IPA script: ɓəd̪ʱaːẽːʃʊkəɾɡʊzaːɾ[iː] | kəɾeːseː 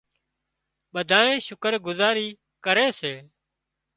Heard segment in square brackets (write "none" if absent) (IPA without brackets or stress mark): iː